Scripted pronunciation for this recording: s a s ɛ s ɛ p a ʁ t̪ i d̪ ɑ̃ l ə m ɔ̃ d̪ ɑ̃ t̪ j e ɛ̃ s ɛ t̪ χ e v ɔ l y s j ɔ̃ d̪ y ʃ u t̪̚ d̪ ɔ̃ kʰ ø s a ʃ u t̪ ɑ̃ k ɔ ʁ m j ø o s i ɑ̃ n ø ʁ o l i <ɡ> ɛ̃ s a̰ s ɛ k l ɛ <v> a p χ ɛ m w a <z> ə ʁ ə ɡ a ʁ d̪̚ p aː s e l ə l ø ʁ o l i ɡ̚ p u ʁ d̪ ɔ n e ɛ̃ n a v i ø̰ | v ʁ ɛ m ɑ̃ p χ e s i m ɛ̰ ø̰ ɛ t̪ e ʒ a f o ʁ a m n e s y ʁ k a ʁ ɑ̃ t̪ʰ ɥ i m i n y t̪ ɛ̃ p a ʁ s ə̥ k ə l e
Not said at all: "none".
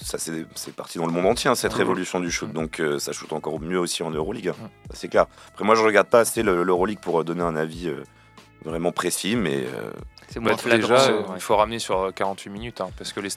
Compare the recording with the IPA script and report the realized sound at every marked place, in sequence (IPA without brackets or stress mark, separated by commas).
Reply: ɡ, ʁ, ʒ